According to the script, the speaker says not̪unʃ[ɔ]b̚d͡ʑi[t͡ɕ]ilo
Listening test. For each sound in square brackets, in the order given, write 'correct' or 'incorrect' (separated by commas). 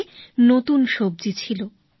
incorrect, incorrect